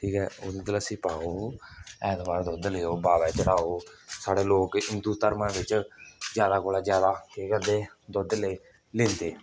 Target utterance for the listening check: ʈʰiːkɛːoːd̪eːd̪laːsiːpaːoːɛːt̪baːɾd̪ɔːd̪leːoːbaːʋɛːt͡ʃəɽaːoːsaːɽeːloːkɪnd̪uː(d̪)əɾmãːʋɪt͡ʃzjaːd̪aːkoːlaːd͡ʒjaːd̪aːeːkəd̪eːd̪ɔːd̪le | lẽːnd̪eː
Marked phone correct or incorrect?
incorrect